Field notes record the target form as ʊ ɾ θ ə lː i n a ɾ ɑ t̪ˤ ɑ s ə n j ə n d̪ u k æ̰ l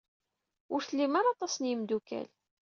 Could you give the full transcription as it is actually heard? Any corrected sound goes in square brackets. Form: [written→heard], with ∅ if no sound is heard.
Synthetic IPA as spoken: ʊ ɾ θ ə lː i [n→m] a ɾ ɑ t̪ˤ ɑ s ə n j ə [n→m] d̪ u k æ̰ l